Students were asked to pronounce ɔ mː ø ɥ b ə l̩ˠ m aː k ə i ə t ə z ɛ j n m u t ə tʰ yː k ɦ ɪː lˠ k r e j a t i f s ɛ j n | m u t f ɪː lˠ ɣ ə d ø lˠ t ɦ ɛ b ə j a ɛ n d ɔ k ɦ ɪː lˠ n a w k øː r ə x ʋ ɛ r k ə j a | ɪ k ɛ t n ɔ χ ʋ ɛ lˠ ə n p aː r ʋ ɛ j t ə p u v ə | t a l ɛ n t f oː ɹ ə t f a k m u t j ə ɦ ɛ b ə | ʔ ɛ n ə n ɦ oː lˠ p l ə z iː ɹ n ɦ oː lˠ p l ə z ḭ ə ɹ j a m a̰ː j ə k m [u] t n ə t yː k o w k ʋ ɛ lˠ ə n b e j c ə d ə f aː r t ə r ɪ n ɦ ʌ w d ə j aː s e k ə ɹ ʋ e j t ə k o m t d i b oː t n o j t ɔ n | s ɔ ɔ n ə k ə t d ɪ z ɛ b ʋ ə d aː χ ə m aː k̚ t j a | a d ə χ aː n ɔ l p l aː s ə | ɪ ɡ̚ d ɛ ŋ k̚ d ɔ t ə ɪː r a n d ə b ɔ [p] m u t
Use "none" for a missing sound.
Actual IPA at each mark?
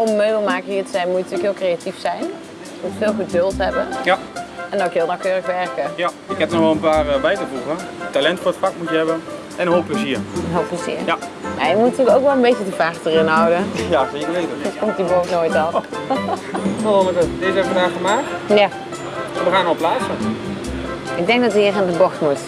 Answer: u, t

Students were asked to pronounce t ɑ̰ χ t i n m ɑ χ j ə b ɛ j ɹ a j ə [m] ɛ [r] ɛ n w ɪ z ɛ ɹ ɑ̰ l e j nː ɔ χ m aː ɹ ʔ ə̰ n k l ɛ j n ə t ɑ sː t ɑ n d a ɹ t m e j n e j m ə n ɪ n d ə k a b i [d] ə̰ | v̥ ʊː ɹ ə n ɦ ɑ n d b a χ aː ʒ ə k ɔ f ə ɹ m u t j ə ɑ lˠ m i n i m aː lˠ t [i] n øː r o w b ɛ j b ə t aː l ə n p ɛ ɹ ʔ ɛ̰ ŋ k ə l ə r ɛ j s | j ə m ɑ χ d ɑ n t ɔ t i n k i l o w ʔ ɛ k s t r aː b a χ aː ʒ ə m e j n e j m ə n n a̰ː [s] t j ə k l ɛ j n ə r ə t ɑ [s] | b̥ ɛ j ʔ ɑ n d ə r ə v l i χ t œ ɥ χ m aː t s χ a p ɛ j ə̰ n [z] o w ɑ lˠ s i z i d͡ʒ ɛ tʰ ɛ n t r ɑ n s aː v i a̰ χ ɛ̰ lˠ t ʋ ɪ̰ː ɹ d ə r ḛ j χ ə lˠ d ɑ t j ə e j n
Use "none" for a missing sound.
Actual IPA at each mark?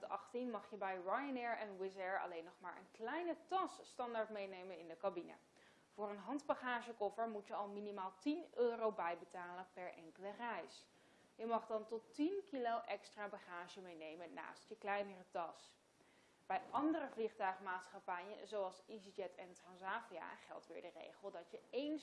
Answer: n, ɹ, n, i, s, s, z

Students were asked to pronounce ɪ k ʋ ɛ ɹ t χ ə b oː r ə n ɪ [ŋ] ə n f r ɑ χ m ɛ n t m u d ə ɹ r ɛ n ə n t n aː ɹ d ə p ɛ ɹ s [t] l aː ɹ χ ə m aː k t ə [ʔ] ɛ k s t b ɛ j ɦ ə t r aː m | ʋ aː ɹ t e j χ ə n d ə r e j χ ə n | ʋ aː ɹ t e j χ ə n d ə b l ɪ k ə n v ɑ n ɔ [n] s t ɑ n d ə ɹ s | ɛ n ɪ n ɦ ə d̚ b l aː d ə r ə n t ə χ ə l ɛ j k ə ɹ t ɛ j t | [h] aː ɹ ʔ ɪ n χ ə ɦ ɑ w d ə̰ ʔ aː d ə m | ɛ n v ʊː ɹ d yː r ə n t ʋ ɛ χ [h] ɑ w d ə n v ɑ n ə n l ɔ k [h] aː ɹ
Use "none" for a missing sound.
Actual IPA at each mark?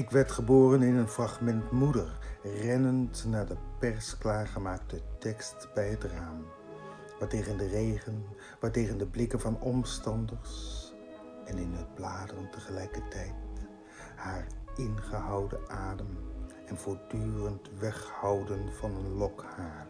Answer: n, k, t, m, h, h, h

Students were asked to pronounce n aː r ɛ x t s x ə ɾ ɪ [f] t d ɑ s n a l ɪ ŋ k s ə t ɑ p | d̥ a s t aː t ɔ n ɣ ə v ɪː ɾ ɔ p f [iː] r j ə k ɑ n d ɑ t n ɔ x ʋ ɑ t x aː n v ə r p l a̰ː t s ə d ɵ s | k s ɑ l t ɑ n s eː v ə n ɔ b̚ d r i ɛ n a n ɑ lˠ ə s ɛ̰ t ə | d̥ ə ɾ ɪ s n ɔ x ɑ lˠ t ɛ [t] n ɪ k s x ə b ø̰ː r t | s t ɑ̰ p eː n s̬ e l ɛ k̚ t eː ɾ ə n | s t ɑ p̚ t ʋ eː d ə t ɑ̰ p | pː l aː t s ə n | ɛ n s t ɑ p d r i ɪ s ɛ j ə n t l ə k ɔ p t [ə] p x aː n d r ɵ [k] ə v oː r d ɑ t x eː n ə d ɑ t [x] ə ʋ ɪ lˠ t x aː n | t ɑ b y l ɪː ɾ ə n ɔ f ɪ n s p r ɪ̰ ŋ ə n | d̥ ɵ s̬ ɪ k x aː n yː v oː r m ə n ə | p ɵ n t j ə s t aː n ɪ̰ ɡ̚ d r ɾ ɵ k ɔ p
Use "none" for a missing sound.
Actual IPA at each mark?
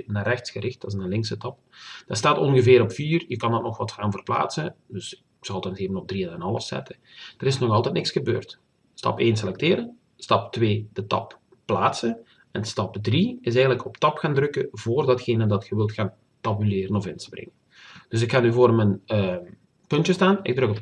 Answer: x, iː, t, ɑ, k, x

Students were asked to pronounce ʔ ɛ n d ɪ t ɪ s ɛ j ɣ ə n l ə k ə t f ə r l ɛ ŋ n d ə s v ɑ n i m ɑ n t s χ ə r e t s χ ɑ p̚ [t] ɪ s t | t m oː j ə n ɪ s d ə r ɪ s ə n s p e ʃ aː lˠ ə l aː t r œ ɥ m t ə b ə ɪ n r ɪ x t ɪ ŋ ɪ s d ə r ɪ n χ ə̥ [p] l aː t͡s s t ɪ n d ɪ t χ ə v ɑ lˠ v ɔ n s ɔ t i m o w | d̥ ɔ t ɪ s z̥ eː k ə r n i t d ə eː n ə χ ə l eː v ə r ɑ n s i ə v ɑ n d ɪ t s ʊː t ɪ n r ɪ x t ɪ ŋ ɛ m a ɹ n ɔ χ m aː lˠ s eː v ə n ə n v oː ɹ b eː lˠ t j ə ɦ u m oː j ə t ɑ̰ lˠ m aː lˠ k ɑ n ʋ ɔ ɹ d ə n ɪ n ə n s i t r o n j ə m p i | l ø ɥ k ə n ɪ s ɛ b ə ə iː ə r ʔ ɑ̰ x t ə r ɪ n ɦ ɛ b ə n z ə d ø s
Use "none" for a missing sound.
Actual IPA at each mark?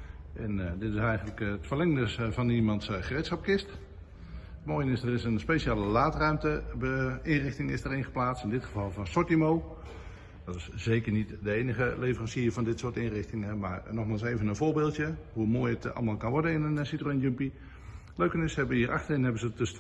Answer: k, p

